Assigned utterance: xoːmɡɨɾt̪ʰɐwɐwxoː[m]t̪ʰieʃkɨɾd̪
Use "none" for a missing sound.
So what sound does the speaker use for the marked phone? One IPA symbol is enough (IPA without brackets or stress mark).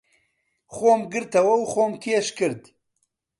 m